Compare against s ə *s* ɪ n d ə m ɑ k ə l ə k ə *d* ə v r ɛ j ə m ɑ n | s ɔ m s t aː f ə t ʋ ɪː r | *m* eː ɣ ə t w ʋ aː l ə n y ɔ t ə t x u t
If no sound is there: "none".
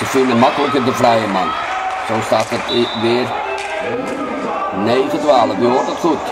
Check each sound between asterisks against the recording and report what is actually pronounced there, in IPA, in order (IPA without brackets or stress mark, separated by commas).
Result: f, d, n